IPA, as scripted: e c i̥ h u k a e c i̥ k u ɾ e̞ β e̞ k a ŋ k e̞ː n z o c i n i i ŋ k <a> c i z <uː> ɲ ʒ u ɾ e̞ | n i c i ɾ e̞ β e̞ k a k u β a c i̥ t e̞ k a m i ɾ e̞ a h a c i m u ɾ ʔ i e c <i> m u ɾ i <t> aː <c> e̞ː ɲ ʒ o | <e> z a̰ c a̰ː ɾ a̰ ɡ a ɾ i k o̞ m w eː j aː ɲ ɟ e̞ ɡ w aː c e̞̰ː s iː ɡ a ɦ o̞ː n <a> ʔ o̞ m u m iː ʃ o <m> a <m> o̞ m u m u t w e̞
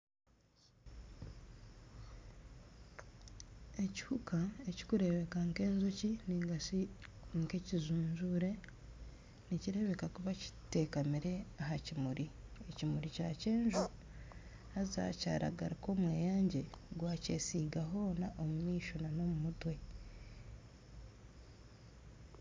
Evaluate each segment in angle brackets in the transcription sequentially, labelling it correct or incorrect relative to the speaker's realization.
incorrect: e, correct, correct, incorrect: c, correct, incorrect: a, correct, incorrect: n, incorrect: n

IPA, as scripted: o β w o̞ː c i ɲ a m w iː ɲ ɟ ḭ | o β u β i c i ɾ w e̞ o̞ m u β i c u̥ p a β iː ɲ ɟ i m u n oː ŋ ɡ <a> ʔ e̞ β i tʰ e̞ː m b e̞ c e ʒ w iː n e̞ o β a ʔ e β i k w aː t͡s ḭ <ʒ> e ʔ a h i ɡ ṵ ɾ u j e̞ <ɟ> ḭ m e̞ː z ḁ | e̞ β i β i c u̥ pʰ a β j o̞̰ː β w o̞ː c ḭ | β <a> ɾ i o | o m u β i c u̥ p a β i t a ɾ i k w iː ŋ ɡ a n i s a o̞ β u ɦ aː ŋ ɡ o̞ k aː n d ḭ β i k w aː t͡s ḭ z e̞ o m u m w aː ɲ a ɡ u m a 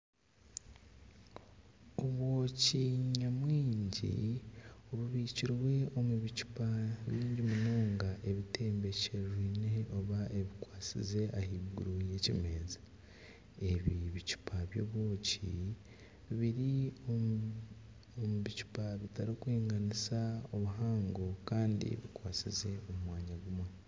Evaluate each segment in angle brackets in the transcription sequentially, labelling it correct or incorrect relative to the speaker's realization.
correct, incorrect: z, incorrect: c, incorrect: i

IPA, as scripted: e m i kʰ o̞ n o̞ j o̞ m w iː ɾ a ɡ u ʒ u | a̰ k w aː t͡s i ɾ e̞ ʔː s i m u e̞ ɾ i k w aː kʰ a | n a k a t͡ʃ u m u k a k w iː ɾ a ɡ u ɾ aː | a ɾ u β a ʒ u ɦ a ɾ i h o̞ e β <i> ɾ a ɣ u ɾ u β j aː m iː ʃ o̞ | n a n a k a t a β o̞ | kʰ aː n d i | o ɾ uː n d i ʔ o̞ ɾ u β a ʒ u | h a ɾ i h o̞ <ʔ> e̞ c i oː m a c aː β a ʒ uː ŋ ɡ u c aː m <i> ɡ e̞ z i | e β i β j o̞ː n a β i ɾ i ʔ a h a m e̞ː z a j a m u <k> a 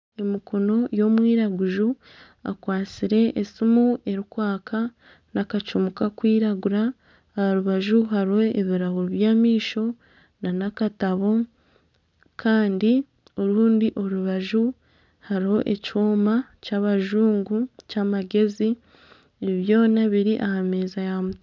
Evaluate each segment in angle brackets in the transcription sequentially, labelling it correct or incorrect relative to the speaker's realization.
correct, correct, incorrect: a, incorrect: t

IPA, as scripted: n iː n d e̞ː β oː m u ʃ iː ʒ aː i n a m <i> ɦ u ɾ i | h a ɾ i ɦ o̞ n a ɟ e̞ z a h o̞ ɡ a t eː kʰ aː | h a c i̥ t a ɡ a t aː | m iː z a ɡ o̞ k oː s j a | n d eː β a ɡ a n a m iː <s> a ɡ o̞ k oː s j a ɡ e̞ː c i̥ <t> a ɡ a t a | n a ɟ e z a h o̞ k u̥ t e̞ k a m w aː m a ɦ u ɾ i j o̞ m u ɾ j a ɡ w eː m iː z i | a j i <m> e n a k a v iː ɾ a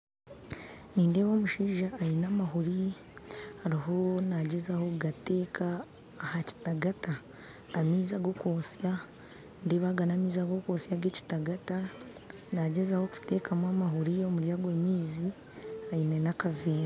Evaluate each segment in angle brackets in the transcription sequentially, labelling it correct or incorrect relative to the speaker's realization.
incorrect: a, incorrect: z, correct, incorrect: n

